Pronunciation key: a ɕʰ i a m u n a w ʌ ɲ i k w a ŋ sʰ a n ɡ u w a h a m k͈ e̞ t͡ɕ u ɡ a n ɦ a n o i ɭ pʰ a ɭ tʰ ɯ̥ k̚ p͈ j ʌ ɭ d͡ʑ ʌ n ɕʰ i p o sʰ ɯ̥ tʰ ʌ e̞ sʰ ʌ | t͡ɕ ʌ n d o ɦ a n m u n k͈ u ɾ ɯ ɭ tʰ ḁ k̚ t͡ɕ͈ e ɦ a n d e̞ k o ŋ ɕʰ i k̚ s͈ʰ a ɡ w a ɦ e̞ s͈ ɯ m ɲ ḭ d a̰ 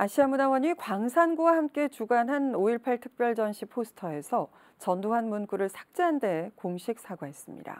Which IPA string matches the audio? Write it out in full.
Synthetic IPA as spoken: a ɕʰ i a m u n a w ʌ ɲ i k w a ŋ sʰ a n ɡ u w a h a m k͈ e̞ t͡ɕ u ɡ a n ɦ a n o i ɭ pʰ a ɭ tʰ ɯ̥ k̚ p͈ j ʌ ɭ d͡ʑ ʌ n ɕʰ i pʰ o sʰ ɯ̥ tʰ ʌ e̞ sʰ ʌ | t͡ɕ ʌ n d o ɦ a n m u n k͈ u ɾ ɯ ɭ sʰ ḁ k̚ t͡ɕ͈ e ɦ a n d e̞ k o ŋ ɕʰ i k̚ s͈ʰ a ɡ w a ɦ e̞ s͈ ɯ m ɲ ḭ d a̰